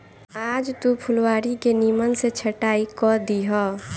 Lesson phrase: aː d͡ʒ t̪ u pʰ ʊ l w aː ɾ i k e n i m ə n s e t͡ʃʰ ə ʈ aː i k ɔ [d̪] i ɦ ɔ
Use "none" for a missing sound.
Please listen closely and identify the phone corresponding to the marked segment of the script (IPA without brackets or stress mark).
d̪